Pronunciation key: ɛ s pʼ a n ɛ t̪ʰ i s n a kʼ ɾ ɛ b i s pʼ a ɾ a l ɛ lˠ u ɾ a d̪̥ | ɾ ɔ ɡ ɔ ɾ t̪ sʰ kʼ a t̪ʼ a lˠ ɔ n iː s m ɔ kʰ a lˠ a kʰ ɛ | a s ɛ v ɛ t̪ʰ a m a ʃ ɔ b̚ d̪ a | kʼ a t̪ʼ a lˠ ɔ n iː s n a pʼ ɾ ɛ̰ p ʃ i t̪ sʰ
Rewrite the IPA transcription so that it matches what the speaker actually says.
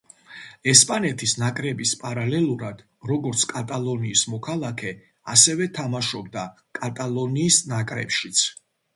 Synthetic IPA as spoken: ɛ s pʼ a n ɛ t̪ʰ i s n a kʼ ɾ ɛ b i s pʼ a ɾ a l ɛ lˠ u ɾ a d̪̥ | ɾ ɔ ɡ ɔ ɾ t̪ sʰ kʼ a t̪ʼ a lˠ ɔ n iː s m ɔ kʰ a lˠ a kʰ ɛ | a s ɛ v ɛ t̪ʰ a m a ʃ ɔ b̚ d̪ a | kʼ a t̪ʼ a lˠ ɔ n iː s n a kʼ ɾ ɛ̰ p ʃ i t̪ sʰ

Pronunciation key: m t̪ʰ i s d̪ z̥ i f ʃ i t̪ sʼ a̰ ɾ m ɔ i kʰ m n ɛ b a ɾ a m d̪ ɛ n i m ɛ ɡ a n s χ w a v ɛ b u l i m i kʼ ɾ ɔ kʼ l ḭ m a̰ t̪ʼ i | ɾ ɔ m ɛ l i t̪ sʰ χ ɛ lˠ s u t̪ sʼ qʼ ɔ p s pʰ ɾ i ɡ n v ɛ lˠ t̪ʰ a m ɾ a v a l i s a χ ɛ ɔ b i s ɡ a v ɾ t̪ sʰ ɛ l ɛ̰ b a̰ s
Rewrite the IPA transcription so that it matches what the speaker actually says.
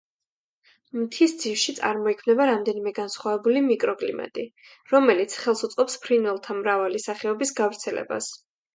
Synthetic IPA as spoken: m t̪ʰ i s d̪ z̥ i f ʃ i t̪ sʼ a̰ ɾ m ɔ i kʰ m n ɛ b a ɾ a m d̪ ɛ n i m ɛ ɡ a n s χ w a v ɛ b u l i m i kʼ ɾ ɔ kʼ l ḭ m a̰ t̪ʼ i | ɾ ɔ m ɛ l i t̪ sʰ χ ɛ lˠ s u t̪ sʼ qʼ ɔ p s pʰ ɾ i n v ɛ lˠ t̪ʰ a m ɾ a v a l i s a χ ɛ ɔ b i s ɡ a v ɾ t̪ sʰ ɛ l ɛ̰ b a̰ s

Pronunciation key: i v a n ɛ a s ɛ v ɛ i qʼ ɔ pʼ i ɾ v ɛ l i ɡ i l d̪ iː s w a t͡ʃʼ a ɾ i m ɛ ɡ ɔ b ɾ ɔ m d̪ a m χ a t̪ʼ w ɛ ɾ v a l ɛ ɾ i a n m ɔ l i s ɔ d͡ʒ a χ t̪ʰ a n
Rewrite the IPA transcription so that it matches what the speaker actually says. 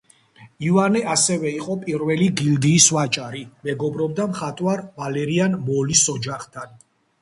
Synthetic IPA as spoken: i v a n ɛ a s ɛ v ɛ i qʼ ɔ pʼ i ɾ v ɛ l i ɡ i l d̪ iː s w a t͡ʃʼ a ɾ i m ɛ ɡ ɔ b ɾ ɔ b d̪ a m χ a t̪ʼ w a ɾ v a l ɛ ɾ i a n m ɔ l i s ɔ d͡ʒ a χ t̪ʰ a n

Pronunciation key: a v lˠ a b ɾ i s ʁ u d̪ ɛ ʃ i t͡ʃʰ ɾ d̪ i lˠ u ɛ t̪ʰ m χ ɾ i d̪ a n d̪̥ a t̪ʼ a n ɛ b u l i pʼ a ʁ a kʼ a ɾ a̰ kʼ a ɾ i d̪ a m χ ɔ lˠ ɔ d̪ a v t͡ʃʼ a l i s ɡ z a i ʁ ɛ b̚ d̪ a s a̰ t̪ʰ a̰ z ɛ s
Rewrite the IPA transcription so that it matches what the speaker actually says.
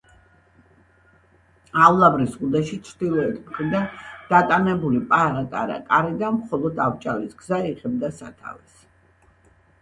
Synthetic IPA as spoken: a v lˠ a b ɾ i s ʁ u d̪ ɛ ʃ i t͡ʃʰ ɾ d̪ i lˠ ɔ ɛ t̪ʰ m χ ɾ i d̪ a n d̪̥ a t̪ʼ a n ɛ b u l i pʼ a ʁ a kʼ a ɾ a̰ kʼ a ɾ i d̪ a m χ ɔ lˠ ɔ d̪ a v t͡ʃʼ a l i s ɡ z a i ʁ ɛ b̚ d̪ a s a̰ t̪ʰ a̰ v ɛ s

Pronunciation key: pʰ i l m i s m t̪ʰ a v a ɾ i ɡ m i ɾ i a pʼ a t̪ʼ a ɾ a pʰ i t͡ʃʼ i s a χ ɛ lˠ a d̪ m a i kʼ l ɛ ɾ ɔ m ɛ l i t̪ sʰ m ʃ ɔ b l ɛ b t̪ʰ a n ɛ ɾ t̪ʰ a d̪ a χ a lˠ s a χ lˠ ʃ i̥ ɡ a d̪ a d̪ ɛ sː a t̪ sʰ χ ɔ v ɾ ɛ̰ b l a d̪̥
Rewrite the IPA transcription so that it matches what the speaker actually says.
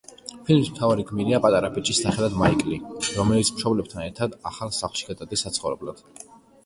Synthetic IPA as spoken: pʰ i l m i s m t̪ʰ a v a ɾ i ɡ m i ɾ i a pʼ a t̪ʼ a ɾ a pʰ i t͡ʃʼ i s a χ ɛ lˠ a d̪ m a i kʼ l i ɾ ɔ m ɛ l i t̪ sʰ m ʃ ɔ b l ɛ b t̪ʰ a n ɛ ɾ t̪ʰ a d̪ a χ a lˠ s a χ lˠ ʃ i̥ ɡ a d̪ a d̪ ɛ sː a t̪ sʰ χ ɔ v ɾ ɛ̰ b l a d̪̥

